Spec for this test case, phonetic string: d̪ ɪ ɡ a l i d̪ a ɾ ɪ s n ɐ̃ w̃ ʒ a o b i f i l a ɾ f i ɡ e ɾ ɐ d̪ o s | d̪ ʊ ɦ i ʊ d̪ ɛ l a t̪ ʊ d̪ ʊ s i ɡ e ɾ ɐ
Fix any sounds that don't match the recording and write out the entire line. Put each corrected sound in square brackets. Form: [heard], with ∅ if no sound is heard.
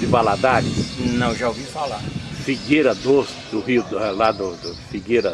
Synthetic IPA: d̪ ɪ [b] a l [a] d̪ a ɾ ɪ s n ɐ̃ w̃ ʒ a o [v] i f [a] l a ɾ f i ɡ e ɾ ɐ d̪ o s | d̪ ʊ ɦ i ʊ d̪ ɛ l a [d̪] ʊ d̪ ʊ [f] i ɡ e ɾ ɐ